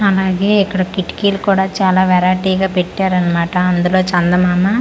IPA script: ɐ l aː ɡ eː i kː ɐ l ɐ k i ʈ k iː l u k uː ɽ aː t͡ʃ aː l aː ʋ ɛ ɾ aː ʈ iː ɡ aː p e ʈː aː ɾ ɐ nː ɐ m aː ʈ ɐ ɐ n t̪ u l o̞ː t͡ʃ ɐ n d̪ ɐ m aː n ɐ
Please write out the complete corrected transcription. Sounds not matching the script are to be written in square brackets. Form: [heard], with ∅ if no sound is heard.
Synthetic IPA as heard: ɐ l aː ɡ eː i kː ɐ [ɽ] ɐ k i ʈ k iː l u k uː ɽ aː t͡ʃ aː l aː ʋ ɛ ɾ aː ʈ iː ɡ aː p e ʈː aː ɾ ɐ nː ɐ m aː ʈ ɐ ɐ n [d̪] u l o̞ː t͡ʃ ɐ n d̪ ɐ m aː [m] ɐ